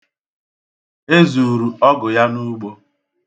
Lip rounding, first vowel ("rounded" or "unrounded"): unrounded